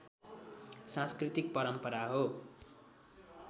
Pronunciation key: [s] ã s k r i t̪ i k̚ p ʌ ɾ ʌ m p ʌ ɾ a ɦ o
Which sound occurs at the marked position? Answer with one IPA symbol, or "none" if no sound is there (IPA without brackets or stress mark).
s